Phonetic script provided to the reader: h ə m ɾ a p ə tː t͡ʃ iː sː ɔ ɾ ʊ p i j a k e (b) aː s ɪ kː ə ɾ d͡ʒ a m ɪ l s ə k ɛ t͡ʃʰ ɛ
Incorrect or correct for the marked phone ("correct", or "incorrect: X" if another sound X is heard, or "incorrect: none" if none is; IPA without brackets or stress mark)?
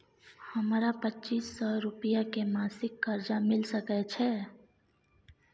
incorrect: m